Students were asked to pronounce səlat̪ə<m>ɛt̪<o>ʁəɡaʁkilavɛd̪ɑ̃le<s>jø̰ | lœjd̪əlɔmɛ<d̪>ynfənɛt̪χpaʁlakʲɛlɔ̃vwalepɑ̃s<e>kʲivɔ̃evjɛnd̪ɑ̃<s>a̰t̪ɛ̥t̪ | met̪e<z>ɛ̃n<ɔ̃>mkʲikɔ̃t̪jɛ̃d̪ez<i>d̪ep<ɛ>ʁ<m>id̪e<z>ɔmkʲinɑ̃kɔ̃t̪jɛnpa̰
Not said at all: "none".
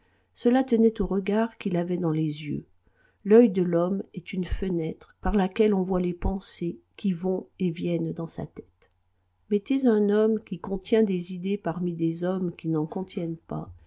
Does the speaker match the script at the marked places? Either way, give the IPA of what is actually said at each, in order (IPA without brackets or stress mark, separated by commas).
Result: n, o, z, t̪, e, s, z, ɔ, i, a, m, z